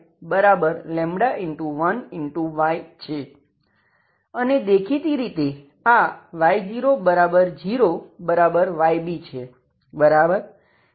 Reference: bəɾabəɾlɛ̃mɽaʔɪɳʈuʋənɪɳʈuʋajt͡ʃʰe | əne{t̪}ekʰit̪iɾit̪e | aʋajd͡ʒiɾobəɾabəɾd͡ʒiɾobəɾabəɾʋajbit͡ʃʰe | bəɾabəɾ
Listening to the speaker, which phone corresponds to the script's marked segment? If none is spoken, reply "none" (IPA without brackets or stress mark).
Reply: d̪